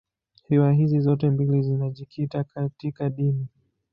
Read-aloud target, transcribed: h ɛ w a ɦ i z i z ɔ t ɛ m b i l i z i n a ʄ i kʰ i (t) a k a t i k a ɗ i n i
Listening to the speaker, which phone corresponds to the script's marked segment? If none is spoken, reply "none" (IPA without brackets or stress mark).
t